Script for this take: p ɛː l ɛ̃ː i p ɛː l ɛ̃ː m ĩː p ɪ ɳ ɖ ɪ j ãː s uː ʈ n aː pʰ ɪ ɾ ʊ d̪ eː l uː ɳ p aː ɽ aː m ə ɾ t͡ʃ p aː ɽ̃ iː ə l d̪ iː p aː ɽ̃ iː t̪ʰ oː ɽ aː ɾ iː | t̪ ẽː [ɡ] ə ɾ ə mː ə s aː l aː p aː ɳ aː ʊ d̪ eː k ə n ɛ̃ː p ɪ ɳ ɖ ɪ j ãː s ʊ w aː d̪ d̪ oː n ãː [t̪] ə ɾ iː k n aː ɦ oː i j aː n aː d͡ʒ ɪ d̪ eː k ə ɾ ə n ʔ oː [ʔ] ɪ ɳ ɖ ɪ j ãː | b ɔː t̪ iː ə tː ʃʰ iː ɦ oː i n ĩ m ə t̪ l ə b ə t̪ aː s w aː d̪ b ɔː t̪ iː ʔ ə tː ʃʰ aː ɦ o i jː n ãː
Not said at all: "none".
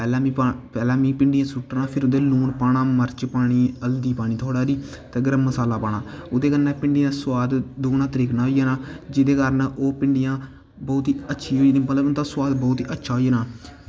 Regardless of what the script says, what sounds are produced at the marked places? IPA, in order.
ɡ, t̪, p

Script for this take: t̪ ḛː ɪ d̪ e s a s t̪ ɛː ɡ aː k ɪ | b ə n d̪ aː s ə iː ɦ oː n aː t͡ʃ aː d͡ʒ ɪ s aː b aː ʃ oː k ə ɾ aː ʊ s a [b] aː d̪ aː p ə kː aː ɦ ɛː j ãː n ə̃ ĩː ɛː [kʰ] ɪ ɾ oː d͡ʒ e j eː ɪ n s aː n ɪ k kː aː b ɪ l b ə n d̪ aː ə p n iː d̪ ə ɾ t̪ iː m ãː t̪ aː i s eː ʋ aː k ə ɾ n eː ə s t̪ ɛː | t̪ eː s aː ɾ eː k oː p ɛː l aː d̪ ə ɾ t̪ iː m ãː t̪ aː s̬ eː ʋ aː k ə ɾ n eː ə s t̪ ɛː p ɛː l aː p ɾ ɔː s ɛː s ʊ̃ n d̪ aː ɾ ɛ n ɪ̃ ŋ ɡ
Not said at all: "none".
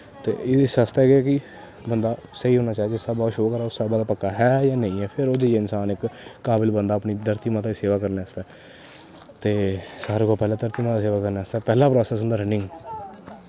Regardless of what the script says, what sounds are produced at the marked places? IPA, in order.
b, pʰ

